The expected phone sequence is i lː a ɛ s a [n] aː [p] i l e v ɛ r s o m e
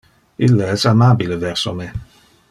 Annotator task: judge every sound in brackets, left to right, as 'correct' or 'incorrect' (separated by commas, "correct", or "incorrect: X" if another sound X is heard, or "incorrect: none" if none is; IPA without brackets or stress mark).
incorrect: m, incorrect: b